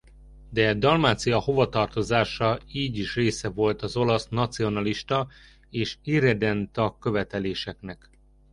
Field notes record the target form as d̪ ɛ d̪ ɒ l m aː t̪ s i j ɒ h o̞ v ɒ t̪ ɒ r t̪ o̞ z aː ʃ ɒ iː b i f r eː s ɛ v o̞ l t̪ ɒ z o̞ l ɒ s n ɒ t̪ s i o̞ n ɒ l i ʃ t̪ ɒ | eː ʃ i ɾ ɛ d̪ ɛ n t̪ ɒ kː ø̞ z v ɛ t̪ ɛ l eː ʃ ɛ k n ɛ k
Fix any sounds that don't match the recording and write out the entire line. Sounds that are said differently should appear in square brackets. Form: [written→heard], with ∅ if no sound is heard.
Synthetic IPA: d̪ ɛ d̪ ɒ l m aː t̪ s i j ɒ h o̞ v ɒ t̪ ɒ r t̪ o̞ z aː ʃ ɒ iː [b→ɟ] i [f→ʃ] r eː s ɛ v o̞ l t̪ ɒ z o̞ l ɒ s n ɒ t̪ s i o̞ n ɒ l i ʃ t̪ ɒ | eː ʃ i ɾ ɛ d̪ ɛ n t̪ ɒ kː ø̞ [z→∅] v ɛ t̪ ɛ l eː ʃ ɛ k n ɛ k